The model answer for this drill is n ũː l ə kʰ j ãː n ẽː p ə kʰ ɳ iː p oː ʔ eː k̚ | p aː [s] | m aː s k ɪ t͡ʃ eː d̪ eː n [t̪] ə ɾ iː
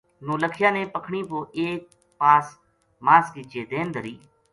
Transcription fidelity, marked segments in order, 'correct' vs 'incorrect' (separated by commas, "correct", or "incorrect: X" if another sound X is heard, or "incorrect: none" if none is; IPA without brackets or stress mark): correct, incorrect: d̪